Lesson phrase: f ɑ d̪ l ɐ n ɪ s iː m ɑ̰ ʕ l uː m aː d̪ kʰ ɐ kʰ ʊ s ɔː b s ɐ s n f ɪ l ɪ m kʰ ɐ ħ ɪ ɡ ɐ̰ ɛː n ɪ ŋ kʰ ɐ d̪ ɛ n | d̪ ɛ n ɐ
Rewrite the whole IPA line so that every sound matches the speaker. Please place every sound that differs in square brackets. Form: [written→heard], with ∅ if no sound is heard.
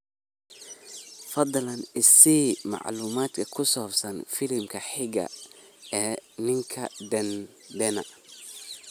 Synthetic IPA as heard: f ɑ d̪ l ɐ n ɪ s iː m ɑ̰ ʕ l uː m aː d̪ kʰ ɐ kʰ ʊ s ɔː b s ɐ [s→∅] n f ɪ l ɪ m kʰ ɐ ħ ɪ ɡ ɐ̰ ɛː n ɪ ŋ kʰ ɐ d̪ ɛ n | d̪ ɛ n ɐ